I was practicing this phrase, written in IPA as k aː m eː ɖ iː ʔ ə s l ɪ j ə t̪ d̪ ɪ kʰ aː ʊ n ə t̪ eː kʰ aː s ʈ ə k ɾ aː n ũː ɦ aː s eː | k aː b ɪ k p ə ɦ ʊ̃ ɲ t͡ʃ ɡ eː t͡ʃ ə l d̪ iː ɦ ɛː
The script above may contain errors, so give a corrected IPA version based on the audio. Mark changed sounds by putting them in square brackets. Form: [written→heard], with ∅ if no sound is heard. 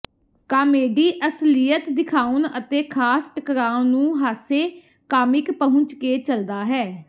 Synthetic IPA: k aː m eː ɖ iː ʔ ə s l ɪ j ə t̪ d̪ ɪ kʰ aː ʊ n ə t̪ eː kʰ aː s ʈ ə k ɾ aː n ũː ɦ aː s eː | k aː [b→m] ɪ k p ə ɦ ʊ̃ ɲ t͡ʃ [ɡ→k] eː t͡ʃ ə l d̪ [iː→aː] ɦ ɛː